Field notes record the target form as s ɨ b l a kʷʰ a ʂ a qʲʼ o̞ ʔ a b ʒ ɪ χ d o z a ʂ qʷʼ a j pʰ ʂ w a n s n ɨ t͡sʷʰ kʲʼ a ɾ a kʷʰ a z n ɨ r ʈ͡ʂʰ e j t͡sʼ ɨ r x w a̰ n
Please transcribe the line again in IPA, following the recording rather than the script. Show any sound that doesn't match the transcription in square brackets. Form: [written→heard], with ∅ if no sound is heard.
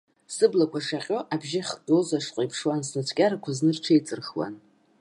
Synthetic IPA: s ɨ b l a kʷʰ a ʂ a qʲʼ o̞ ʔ a b ʒ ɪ χ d o z a ʂ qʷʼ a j pʰ ʂ w a n s n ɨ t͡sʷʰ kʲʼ a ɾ a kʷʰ a z n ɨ r ʈ͡ʂʰ e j t͡sʼ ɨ r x w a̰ n